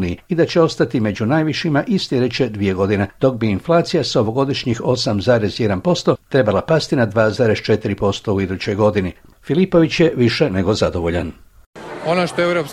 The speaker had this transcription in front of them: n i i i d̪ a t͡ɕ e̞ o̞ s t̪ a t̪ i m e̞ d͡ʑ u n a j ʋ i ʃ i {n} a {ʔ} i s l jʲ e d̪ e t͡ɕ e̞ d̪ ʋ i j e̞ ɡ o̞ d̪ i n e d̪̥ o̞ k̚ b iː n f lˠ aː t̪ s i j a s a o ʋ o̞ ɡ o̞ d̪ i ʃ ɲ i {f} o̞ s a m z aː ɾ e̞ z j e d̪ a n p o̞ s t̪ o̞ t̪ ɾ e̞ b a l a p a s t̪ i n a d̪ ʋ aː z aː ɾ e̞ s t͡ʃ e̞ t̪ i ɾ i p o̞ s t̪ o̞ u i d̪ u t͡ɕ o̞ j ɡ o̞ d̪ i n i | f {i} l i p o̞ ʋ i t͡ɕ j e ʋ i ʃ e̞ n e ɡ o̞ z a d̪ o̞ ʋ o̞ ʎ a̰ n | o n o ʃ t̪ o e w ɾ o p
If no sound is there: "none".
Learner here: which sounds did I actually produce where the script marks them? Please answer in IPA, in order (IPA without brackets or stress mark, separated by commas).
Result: m, ʔ, x, i